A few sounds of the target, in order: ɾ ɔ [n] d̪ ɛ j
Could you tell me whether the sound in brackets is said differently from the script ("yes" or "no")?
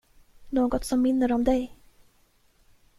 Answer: yes